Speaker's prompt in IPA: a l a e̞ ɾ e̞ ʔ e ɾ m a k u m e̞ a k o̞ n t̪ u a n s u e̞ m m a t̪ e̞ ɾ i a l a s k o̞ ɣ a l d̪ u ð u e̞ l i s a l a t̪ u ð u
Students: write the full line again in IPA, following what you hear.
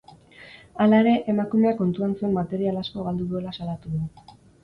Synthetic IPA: a l a e̞ ɾ e̞ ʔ e m a k u m e̞ a k o̞ n t̪ u a n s u e̞ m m a t̪ e̞ ɾ i a l a s k o̞ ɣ a l d̪ u ð u e̞ l a s a l a t̪ u ð u